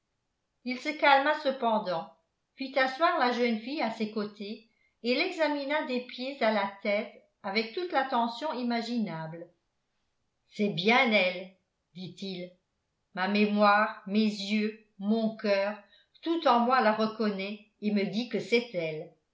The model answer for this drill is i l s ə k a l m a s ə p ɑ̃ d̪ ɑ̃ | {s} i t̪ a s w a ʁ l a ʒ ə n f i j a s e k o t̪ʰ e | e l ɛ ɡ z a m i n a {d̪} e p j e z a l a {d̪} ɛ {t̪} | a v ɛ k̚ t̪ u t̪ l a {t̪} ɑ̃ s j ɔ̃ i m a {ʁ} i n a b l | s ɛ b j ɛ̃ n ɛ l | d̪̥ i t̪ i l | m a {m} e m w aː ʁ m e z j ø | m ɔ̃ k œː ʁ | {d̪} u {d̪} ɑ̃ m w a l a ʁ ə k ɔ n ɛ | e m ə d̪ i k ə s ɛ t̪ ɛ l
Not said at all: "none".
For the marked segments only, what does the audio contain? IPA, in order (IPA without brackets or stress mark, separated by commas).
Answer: f, d̪, t̪, t̪, t̪, ʒ, m, t̪, t̪